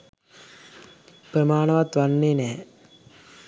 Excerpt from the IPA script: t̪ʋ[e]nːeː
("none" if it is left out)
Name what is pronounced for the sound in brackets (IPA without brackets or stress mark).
a